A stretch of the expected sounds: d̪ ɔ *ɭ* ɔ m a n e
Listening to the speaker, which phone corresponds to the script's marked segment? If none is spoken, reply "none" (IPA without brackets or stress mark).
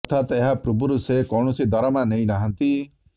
ɾ